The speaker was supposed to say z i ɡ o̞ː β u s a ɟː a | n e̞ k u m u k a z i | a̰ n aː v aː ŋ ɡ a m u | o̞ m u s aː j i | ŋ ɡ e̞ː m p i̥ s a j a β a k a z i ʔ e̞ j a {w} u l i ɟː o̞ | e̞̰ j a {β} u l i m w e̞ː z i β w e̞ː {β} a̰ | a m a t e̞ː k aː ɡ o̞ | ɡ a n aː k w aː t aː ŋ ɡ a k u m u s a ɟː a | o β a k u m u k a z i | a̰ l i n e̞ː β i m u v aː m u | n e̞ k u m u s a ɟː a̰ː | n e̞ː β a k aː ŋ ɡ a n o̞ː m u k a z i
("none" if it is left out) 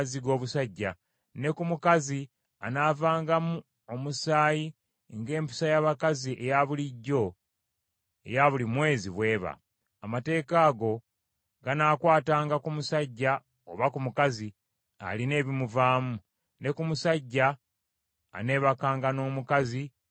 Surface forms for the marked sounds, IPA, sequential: β, β, β

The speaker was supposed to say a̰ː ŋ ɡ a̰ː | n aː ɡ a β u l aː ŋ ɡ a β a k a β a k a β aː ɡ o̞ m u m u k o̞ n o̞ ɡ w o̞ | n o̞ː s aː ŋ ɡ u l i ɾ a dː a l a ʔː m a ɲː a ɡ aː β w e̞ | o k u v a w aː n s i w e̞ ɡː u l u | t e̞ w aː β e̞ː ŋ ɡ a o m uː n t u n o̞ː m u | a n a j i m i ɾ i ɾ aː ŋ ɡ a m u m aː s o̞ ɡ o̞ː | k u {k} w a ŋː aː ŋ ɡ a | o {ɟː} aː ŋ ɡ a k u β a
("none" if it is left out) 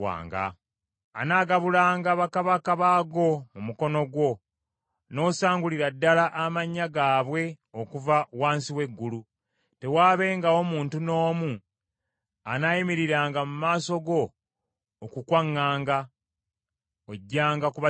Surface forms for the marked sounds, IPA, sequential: k, ɟː

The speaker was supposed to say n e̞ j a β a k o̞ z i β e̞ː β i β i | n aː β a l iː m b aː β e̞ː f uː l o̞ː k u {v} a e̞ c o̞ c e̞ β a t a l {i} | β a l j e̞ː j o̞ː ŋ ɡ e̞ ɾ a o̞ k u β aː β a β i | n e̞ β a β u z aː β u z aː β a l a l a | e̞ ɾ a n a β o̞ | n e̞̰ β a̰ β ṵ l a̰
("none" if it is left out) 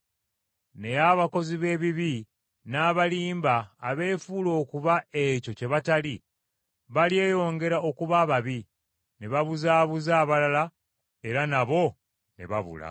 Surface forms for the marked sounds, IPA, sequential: β, i

